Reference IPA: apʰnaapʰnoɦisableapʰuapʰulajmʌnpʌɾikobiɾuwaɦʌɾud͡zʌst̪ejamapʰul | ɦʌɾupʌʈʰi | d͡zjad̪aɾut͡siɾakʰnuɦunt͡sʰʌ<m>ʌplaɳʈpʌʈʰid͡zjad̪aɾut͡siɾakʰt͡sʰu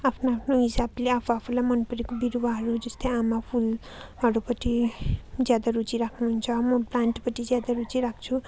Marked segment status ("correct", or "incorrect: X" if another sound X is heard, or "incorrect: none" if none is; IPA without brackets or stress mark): correct